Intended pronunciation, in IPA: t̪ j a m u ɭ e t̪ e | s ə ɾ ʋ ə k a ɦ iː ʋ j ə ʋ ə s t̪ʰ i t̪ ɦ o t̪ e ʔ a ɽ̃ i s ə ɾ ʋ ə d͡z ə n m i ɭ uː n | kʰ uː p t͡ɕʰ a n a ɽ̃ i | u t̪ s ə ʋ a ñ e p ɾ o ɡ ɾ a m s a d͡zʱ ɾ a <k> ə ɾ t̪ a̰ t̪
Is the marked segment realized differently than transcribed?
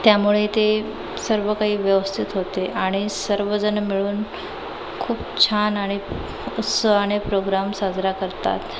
no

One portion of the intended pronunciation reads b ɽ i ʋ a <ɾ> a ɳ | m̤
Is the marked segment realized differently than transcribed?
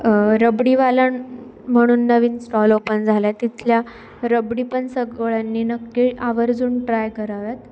yes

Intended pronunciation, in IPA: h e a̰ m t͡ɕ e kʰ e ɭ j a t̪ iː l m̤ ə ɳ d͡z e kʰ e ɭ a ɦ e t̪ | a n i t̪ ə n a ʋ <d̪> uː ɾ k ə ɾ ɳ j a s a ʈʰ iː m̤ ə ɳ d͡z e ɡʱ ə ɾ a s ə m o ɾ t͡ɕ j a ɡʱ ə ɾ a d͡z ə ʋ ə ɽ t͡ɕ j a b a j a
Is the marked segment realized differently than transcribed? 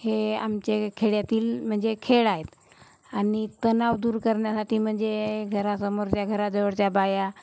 no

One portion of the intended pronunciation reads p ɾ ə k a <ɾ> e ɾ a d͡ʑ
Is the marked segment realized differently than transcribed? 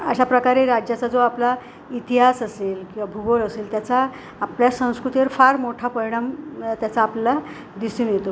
no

